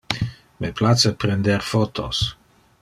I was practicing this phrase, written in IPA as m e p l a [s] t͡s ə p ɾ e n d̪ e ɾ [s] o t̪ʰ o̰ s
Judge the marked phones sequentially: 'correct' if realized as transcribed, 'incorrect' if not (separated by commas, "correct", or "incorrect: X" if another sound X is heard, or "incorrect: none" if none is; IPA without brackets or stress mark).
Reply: incorrect: none, incorrect: f